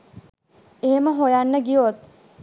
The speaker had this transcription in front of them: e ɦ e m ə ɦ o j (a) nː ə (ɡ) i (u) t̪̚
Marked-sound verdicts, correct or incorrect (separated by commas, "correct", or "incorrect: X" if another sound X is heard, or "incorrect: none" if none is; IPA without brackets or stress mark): correct, correct, incorrect: o